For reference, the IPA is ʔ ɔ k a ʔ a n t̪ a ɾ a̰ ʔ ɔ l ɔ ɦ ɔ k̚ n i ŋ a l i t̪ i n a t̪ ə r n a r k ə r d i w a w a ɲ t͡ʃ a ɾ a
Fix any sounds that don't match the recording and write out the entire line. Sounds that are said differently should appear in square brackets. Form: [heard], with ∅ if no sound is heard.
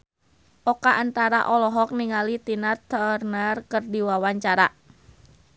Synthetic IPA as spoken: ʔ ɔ k a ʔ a n t̪ a ɾ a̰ ʔ ɔ l ɔ ɦ ɔ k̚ n i ŋ a l i t̪ i n a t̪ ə r n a r k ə r d i w a w a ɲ t͡ʃ a ɾ a